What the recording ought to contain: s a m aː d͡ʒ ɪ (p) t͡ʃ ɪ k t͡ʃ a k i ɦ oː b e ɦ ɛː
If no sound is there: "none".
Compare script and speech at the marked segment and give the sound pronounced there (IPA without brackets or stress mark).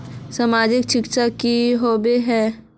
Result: k